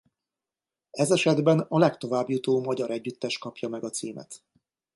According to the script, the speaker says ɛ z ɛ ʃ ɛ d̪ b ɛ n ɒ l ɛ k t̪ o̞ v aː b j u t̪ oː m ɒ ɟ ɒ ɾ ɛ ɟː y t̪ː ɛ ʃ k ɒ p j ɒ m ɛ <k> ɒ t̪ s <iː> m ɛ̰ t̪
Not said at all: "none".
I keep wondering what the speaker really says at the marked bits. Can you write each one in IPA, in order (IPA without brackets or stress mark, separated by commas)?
ɡ, iː